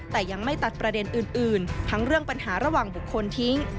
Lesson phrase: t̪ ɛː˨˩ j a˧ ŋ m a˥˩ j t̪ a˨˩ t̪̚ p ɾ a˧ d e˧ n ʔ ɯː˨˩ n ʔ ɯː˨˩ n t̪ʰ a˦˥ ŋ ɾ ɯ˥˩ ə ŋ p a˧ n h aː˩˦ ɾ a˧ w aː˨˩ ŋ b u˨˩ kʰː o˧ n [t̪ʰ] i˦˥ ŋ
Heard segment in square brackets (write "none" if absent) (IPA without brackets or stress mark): t̪ʰ